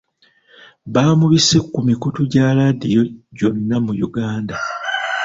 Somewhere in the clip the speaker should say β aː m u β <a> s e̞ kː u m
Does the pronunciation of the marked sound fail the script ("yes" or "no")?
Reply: yes